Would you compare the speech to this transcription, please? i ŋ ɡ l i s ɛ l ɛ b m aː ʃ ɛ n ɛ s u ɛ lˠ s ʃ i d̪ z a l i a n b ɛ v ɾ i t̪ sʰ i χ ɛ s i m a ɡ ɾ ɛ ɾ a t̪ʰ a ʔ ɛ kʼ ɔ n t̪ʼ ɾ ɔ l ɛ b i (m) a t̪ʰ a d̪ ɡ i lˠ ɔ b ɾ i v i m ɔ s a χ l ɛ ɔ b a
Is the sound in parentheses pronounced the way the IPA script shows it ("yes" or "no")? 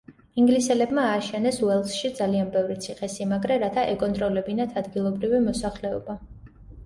no